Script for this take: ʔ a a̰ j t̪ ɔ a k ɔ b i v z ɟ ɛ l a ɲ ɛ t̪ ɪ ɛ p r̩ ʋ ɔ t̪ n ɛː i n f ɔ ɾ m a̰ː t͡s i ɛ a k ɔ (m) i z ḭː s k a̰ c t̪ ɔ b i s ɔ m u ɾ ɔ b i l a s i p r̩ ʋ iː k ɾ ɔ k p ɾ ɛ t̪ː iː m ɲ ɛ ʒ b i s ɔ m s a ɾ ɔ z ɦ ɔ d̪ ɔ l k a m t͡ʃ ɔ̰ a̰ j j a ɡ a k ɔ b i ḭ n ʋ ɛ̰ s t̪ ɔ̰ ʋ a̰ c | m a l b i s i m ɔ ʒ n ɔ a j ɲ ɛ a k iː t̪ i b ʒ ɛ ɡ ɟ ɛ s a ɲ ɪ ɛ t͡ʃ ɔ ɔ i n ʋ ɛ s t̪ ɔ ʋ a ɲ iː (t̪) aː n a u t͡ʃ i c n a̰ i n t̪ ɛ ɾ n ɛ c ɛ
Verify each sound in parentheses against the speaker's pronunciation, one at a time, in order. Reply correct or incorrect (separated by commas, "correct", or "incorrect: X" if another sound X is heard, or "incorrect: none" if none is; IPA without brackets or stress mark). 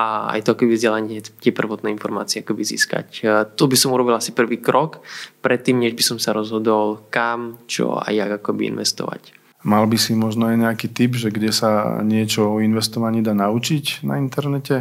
incorrect: b, incorrect: d̪